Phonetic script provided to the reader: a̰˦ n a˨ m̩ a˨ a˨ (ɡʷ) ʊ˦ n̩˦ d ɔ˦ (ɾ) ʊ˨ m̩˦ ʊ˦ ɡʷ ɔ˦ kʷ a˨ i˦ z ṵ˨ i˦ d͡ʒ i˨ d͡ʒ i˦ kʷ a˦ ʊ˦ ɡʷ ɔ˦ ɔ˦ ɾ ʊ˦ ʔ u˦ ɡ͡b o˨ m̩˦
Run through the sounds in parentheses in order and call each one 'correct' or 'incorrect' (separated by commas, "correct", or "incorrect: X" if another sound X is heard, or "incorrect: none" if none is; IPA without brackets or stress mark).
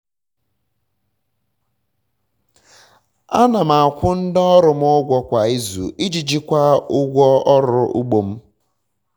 incorrect: kʷ, correct